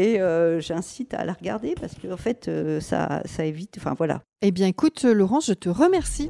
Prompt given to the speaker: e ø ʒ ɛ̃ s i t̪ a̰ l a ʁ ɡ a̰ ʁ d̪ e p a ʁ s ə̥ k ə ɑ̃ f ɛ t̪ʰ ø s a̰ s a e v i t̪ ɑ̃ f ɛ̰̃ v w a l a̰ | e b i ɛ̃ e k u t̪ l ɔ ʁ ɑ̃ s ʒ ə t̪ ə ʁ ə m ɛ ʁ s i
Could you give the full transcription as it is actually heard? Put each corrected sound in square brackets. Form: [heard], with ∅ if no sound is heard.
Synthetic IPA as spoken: e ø ʒ ɛ̃ s i t̪ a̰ l a ʁ ɡ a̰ ʁ d̪ e p a ʁ s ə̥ k ə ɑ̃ f ɛ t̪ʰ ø s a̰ s a e v i t̪ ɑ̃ f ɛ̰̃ v w a l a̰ | e b [j] ɛ̃ e k u t̪ l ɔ ʁ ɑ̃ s ʒ ə t̪ ə ʁ ə m ɛ ʁ s i